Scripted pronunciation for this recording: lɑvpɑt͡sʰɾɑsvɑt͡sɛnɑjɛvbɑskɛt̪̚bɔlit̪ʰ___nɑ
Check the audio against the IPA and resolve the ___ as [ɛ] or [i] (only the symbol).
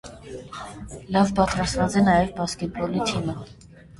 i